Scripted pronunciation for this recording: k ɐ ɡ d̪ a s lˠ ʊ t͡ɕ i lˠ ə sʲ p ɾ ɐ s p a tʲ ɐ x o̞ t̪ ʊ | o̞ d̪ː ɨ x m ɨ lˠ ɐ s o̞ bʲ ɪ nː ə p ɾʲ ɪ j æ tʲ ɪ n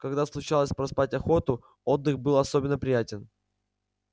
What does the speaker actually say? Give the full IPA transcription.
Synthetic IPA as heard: k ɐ ɡ d̪ a s lˠ ʊ t͡ɕ a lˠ ə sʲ p ɾ ɐ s p a tʲ ɐ x o̞ t̪ ʊ | o̞ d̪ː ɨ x b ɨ lˠ ɐ s o̞ bʲ ɪ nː ə p ɾʲ ɪ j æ tʲ ɪ n